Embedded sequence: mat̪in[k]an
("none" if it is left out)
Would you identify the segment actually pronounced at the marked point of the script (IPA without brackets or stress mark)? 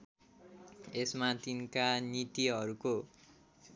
k